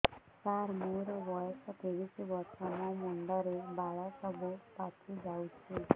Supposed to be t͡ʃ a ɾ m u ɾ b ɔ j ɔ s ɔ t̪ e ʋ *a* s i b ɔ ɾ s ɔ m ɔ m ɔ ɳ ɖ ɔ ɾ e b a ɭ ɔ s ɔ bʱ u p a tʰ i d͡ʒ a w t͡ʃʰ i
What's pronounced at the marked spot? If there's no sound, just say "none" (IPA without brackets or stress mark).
i